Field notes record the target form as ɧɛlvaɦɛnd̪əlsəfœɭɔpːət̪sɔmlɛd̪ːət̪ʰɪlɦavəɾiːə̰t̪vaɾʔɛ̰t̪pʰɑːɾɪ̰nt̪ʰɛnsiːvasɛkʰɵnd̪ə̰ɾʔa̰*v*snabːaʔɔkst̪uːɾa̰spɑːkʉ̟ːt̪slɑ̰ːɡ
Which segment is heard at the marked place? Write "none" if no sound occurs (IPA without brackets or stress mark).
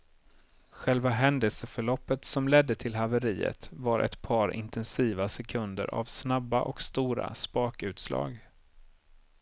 v